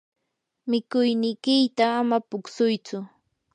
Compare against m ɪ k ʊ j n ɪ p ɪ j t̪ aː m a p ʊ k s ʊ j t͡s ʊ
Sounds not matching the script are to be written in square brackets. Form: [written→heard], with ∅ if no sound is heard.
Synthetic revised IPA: m ɪ k ʊ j n ɪ [p→k] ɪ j t̪ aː m a p ʊ k s ʊ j t͡s ʊ